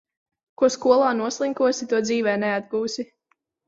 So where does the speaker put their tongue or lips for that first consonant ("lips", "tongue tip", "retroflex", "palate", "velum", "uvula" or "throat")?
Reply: velum